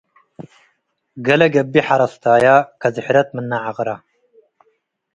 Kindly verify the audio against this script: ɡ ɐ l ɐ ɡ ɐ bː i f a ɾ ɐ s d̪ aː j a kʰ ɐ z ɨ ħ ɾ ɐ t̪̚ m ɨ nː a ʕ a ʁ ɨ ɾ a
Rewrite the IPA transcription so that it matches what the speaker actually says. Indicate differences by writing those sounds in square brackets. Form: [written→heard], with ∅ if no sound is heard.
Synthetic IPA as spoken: ɡ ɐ l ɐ ɡ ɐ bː i [f→ħ] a ɾ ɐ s [d̪→t̪] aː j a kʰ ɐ z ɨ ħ ɾ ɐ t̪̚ m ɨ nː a ʕ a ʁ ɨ ɾ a